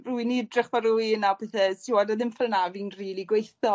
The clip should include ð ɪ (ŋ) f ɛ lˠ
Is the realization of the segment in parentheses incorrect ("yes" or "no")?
yes